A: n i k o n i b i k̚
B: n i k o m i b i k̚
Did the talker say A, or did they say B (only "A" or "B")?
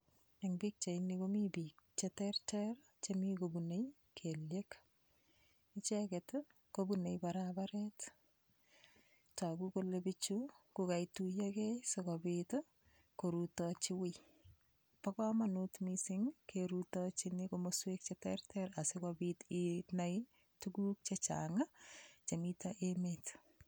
B